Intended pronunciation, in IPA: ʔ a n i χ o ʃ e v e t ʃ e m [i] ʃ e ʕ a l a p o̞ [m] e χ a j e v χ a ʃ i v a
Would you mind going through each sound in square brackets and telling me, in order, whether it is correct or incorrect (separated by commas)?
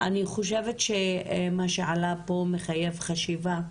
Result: incorrect, correct